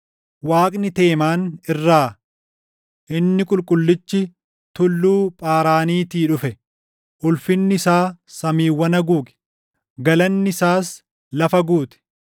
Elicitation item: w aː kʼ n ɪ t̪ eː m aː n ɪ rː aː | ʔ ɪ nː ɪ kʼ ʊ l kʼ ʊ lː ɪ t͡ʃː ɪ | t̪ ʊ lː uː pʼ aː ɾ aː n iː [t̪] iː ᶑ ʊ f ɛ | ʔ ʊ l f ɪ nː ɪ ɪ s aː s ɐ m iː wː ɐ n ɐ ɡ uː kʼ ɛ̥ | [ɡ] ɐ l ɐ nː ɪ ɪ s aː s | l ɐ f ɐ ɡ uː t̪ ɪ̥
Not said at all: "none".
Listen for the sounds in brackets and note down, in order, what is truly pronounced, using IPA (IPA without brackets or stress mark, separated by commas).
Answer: t̪, ɡ